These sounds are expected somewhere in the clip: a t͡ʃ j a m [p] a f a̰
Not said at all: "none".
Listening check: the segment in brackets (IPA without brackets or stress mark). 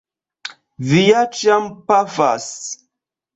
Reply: p